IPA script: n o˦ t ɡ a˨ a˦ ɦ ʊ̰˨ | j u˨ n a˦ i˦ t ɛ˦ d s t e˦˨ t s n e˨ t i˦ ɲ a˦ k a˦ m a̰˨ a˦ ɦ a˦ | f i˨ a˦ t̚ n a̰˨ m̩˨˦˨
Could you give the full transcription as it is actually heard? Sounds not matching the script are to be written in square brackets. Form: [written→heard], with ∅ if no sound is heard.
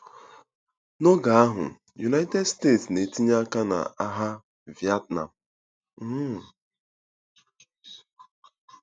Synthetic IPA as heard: n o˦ [t→∅] ɡ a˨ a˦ ɦ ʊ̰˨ | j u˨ n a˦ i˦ t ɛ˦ d s t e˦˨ t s n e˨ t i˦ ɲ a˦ k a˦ [m→n] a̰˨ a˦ ɦ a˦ | [f→v] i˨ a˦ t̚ n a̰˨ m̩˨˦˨

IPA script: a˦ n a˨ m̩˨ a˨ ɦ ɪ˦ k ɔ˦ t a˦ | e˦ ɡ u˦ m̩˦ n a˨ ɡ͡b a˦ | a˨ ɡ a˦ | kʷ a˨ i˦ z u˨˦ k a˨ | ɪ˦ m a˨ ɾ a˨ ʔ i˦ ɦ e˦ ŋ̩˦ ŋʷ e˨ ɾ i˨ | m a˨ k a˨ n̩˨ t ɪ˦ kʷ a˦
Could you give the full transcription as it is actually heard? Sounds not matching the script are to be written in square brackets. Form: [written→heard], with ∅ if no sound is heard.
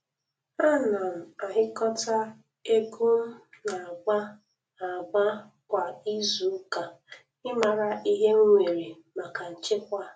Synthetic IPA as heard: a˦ n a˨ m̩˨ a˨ ɦ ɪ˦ k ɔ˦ t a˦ | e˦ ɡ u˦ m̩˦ n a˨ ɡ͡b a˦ | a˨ [ɡ→ɡ͡b] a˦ | kʷ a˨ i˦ z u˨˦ k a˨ | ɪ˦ m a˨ ɾ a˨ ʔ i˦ ɦ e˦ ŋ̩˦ ŋʷ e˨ ɾ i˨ | m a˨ k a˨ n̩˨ [t→t͡ʃ] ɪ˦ kʷ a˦

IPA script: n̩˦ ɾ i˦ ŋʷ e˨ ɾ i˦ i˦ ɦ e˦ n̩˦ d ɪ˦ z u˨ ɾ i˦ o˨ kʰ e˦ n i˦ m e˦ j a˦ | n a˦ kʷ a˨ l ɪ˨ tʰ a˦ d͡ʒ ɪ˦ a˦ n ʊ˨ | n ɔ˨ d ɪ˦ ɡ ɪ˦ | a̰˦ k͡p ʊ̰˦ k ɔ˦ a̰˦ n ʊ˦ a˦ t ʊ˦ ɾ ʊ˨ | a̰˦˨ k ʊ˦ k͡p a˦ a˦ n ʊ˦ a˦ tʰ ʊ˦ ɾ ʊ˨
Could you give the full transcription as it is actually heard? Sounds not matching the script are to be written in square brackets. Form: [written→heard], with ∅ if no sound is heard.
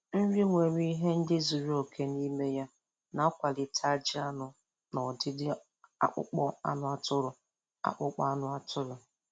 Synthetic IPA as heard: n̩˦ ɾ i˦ ŋʷ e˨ ɾ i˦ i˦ ɦ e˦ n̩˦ d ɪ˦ z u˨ ɾ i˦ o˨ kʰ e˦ n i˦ m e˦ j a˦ | n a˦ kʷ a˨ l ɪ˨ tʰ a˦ d͡ʒ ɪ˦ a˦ n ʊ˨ | n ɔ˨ d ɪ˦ [ɡ→d] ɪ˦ | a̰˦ k͡p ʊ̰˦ [k→k͡p] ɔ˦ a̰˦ n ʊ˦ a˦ t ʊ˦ ɾ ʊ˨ | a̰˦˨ [k→k͡p] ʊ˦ k͡p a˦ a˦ n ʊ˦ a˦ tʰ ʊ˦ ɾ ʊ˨

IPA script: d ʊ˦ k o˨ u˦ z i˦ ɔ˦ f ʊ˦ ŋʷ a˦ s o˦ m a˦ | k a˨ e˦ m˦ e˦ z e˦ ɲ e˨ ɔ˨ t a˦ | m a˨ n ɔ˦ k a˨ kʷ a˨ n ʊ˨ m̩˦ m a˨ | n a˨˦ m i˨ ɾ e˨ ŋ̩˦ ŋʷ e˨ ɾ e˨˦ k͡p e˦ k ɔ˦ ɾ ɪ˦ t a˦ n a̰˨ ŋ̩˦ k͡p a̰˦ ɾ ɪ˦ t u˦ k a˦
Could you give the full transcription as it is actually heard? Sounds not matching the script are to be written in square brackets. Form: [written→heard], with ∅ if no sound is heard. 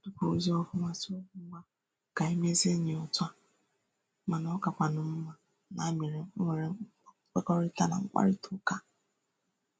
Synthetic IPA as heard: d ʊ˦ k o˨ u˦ z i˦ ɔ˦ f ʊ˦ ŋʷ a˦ s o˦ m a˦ | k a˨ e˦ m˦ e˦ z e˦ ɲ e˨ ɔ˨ t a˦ | m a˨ n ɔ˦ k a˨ kʷ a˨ n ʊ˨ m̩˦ m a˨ | n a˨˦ m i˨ ɾ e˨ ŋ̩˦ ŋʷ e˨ ɾ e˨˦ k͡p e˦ k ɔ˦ ɾ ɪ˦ t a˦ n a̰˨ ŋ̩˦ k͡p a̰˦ ɾ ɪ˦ t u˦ k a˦

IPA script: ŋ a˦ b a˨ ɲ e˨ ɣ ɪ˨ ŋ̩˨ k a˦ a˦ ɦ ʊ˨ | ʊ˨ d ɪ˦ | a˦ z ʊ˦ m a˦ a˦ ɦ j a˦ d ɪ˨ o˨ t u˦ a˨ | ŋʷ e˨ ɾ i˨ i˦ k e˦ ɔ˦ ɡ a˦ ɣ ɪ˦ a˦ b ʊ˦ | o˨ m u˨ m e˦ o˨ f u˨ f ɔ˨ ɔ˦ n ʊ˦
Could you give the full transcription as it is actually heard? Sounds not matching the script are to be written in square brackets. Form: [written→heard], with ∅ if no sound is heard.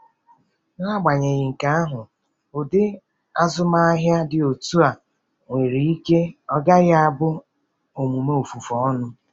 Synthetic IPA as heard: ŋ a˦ [b→ɡ͡b] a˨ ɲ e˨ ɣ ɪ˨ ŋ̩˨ k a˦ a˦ ɦ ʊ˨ | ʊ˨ d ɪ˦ | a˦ z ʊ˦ m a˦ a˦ ɦ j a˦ d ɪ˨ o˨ t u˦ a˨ | ŋʷ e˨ ɾ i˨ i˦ k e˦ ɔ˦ ɡ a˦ ɣ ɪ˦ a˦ b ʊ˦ | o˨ m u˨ m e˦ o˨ f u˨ f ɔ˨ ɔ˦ n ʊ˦

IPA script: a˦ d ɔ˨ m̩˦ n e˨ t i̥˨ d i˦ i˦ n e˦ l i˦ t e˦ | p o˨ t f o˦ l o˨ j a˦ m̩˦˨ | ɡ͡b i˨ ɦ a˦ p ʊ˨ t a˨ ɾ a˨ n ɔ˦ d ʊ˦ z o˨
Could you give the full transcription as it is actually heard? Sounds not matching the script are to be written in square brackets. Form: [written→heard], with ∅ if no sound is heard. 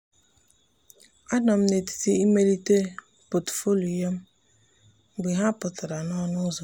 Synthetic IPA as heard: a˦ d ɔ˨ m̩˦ n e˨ t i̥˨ [d→t] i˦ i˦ [n→m] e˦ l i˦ t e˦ | p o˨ t f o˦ l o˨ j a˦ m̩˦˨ | ɡ͡b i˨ ɦ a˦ p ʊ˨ t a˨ ɾ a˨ n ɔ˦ [d→n] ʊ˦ z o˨

